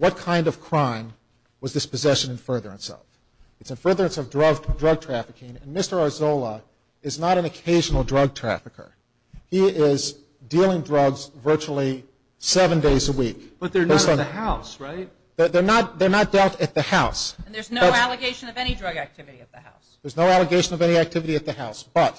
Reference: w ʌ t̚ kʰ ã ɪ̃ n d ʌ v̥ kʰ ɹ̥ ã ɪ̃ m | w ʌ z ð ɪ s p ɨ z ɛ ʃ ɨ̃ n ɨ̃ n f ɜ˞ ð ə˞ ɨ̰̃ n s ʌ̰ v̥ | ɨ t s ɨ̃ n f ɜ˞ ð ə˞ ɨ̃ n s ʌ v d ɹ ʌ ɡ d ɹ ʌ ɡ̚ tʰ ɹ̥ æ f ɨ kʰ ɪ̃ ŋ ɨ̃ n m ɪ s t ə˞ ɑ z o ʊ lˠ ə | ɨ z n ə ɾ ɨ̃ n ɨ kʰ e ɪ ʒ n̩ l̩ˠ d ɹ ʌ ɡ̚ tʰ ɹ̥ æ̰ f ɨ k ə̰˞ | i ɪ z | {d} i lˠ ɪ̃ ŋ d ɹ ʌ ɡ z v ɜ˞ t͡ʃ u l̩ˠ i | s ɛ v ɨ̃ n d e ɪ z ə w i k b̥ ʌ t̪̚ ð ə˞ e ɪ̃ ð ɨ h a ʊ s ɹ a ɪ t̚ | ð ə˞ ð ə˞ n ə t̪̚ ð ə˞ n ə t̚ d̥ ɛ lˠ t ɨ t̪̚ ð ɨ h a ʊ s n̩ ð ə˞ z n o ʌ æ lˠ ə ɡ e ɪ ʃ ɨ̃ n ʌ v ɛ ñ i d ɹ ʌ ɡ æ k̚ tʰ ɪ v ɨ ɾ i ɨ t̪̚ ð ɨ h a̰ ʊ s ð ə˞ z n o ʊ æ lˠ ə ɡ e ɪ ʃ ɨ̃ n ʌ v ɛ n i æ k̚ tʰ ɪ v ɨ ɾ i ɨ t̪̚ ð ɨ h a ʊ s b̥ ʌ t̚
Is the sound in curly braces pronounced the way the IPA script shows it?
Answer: yes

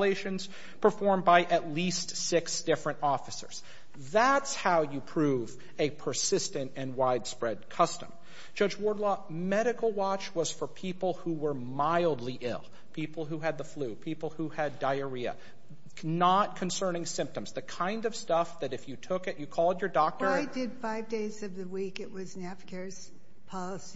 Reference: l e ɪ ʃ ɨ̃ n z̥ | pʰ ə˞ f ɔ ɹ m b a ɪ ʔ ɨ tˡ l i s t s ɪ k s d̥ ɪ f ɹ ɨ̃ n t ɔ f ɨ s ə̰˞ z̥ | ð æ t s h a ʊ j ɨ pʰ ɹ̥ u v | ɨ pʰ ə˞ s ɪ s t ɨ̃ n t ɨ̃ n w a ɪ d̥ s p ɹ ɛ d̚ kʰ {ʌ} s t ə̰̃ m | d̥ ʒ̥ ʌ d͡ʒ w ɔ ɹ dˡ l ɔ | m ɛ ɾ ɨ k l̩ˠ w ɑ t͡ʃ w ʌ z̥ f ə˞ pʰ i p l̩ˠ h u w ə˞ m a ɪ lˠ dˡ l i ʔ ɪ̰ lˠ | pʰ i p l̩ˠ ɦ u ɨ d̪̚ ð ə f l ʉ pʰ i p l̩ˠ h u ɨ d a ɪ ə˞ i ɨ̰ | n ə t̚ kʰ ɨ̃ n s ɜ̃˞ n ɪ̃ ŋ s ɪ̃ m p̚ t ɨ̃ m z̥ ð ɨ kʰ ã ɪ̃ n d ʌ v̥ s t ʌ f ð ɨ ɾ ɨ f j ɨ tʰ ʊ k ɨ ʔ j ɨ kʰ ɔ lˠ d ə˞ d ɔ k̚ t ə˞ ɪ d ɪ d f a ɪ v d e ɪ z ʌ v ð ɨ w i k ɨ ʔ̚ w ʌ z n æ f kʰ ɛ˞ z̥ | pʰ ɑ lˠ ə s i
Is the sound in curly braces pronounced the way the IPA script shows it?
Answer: yes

